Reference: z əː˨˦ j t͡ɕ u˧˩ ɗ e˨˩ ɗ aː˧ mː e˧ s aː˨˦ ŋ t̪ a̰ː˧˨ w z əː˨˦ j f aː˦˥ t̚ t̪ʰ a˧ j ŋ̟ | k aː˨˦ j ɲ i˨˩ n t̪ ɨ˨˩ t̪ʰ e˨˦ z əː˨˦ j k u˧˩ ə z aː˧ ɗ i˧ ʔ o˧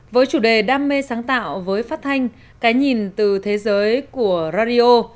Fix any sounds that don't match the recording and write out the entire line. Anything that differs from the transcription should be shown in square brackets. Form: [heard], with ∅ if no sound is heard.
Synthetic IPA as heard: [v] əː˨˦ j t͡ɕ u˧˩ ɗ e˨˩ ɗ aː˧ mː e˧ s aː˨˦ ŋ t̪ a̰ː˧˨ w [v] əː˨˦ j f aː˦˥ t̚ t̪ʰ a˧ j ŋ̟ | k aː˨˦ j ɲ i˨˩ n t̪ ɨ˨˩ t̪ʰ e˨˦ z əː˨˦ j k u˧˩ ə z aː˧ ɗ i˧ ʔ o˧